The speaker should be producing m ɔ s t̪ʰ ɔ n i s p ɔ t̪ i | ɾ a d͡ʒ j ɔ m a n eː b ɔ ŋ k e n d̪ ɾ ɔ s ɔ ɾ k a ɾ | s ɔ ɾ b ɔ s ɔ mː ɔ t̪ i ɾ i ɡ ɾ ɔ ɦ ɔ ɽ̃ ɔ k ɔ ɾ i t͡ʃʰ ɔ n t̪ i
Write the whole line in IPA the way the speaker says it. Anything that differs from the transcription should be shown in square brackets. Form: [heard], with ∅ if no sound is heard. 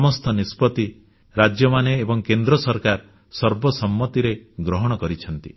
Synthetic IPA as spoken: m ɔ s t̪ʰ ɔ n i s p ɔ t̪ i | ɾ a d͡ʒ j ɔ m a n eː b ɔ ŋ k e n d̪ ɾ ɔ s ɔ ɾ k a ɾ | s ɔ ɾ b ɔ s ɔ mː ɔ t̪ i ɾ [e] ɡ ɾ ɔ ɦ ɔ ɽ̃ ɔ k ɔ ɾ i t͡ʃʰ ɔ n t̪ i